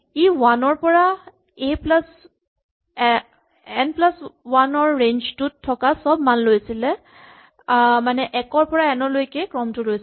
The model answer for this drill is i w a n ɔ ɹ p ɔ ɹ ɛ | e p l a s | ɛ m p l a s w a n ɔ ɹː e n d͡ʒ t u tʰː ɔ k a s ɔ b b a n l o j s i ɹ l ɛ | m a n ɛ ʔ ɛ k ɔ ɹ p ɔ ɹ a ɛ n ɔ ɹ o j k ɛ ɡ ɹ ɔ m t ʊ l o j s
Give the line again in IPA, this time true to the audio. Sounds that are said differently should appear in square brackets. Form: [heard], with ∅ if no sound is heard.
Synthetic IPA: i w a n ɔ ɹ p ɔ ɹ [a] | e p l a s | ɛ [n] p l a s w a n ɔ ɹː e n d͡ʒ t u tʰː ɔ k a s ɔ b [m] a n l o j s i [∅] l ɛ | m a n ɛ ʔ ɛ k ɔ ɹ p ɔ ɹ a ɛ n ɔ [l] o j k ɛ [k] ɹ ɔ m t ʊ l o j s